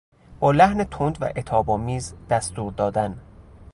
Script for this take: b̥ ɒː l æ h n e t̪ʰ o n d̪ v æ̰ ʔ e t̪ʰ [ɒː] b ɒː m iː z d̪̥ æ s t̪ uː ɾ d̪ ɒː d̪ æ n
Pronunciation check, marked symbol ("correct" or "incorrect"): correct